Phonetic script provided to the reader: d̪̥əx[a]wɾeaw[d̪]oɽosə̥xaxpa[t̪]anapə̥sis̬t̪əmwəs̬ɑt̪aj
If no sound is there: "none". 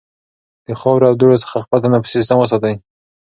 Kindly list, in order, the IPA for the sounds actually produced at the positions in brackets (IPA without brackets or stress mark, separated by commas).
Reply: ɑ, d̪, t̪